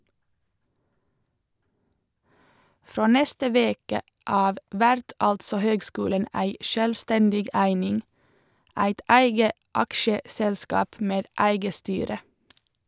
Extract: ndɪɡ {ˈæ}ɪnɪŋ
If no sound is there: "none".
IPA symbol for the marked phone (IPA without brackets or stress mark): æ